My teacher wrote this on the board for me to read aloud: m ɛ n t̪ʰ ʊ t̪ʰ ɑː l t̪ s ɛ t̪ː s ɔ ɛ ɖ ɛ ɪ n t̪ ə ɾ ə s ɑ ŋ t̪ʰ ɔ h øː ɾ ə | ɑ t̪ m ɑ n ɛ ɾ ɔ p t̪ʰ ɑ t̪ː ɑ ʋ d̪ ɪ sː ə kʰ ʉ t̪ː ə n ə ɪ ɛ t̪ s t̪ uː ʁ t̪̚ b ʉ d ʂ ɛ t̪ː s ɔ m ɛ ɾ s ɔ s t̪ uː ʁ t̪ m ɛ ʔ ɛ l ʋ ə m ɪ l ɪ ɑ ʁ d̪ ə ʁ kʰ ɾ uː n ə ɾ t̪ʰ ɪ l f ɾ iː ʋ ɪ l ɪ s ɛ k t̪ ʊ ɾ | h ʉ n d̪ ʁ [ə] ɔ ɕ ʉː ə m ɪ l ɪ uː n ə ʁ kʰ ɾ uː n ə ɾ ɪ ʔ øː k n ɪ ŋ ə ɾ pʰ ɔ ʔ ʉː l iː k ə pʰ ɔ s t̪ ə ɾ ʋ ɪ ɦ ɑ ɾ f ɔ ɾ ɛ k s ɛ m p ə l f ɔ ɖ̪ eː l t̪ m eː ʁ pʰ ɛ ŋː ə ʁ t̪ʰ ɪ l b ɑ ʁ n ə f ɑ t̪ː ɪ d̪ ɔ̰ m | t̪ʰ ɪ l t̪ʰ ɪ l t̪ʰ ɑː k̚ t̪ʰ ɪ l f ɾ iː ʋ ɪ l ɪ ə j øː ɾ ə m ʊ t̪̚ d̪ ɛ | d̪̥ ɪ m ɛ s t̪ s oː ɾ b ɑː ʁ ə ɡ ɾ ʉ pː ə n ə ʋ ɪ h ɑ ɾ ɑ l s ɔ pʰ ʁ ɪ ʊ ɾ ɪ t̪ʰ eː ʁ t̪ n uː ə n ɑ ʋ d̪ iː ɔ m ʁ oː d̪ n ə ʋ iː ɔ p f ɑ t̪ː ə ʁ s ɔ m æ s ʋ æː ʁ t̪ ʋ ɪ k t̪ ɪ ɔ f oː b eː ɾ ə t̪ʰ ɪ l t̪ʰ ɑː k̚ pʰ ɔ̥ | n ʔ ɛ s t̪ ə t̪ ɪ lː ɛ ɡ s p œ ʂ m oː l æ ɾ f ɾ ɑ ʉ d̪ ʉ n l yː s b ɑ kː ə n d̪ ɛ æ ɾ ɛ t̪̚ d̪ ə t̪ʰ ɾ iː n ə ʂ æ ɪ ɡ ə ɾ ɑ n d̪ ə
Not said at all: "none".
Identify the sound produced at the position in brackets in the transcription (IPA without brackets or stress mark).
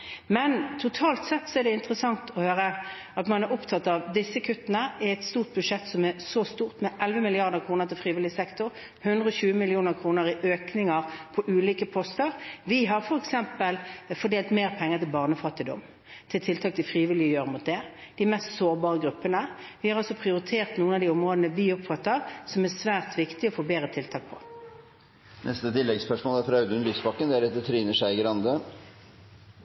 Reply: ə